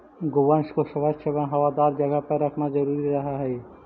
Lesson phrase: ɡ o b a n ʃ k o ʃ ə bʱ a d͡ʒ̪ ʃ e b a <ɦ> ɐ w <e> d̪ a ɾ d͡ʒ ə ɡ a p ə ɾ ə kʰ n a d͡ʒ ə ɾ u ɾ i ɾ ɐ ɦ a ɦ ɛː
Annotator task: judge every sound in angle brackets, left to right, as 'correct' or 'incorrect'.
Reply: correct, incorrect: a

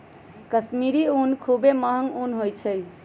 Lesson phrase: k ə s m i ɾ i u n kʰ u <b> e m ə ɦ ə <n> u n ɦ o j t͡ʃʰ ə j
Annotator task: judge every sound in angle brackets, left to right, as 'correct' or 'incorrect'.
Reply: correct, incorrect: ŋ

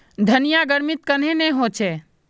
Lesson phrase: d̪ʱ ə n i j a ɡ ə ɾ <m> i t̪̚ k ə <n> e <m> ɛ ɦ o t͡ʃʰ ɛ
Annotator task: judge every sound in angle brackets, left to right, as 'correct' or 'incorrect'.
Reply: correct, correct, incorrect: n

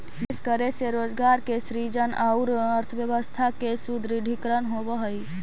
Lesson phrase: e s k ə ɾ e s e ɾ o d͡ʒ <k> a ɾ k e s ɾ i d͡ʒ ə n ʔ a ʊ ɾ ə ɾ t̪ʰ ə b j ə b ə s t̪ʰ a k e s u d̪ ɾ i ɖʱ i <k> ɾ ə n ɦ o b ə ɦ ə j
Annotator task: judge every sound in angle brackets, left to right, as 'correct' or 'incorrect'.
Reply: incorrect: ɡ, correct

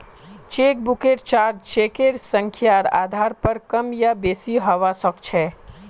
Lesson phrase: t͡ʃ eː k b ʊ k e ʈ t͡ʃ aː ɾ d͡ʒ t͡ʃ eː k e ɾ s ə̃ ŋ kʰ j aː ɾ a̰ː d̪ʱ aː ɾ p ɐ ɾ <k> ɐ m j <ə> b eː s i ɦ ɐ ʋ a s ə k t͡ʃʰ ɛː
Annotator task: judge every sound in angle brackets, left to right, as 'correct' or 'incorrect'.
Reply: correct, incorrect: a

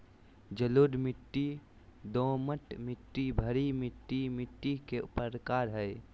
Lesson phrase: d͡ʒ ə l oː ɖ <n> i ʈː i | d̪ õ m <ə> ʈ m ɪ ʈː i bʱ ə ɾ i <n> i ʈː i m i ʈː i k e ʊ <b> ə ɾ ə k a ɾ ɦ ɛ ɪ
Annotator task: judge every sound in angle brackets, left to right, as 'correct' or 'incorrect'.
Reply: incorrect: m, correct, incorrect: m, incorrect: p

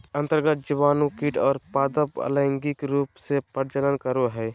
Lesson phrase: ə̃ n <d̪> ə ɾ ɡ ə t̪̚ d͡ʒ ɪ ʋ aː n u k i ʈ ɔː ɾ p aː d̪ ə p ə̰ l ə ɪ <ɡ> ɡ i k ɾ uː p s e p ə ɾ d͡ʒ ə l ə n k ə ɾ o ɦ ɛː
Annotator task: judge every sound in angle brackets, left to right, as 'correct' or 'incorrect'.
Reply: incorrect: t̪, incorrect: ŋ

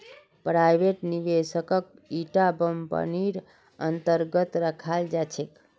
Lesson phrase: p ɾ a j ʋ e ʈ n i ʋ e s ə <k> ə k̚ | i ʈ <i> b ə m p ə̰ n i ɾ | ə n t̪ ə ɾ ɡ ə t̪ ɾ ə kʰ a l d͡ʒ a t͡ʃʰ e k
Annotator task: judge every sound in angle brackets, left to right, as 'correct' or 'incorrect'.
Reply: correct, incorrect: a

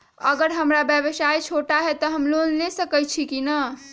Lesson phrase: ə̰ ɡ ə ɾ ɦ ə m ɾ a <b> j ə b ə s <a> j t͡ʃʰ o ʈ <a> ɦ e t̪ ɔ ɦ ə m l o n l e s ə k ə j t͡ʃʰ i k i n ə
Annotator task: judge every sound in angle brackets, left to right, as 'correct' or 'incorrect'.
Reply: correct, correct, correct

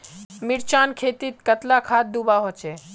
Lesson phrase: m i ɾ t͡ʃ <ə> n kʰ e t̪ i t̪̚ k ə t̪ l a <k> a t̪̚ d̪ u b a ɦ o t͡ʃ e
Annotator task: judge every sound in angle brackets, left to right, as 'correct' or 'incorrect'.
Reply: incorrect: a, incorrect: kʰ

